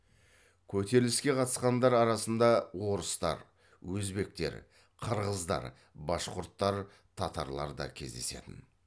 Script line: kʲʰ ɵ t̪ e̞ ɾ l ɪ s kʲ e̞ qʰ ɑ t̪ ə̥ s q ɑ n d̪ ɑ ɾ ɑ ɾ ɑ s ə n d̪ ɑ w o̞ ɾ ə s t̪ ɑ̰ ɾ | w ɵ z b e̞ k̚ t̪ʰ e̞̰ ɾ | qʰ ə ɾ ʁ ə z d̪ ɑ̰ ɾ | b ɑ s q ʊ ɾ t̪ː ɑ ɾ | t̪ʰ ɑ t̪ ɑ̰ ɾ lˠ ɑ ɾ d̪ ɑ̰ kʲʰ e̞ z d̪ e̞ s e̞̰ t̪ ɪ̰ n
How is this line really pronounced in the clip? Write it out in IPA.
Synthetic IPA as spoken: kʲʰ ɵ t̪ e̞ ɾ l ɪ s kʲ e̞ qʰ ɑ t̪ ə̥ s q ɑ n d̪ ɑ ɾ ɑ ɾ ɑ s ə n d̪ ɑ w o̞ ɾ ə s t̪ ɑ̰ ɾ | w ɵ z b e̞ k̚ t̪ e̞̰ ɾ | qʰ ə ɾ ʁ ə z d̪ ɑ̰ ɾ | b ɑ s q ʊ ɾ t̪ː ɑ ɾ | t̪ʰ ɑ t̪ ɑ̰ ɾ lˠ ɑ ɾ d̪ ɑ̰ kʲʰ e̞ z d̪ e̞ s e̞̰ t̪ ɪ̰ n